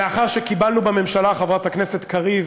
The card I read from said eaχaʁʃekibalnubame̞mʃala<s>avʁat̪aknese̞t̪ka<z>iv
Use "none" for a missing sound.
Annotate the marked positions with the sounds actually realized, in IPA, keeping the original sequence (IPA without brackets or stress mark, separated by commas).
χ, ʁ